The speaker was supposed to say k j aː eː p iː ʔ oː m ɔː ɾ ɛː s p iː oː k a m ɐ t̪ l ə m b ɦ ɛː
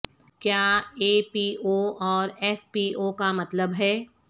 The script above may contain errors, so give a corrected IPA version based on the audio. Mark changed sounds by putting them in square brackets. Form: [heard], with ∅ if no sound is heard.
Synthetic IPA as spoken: k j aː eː p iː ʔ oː [∅] ɔː ɾ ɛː [f] p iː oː k a m ɐ t̪ l ə [∅] b ɦ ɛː